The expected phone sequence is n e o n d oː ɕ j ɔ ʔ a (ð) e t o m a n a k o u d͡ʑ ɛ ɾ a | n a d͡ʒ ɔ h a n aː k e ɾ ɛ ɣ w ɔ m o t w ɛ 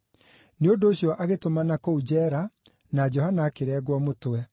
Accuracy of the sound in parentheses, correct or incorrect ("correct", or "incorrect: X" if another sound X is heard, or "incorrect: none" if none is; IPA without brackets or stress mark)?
incorrect: ɣ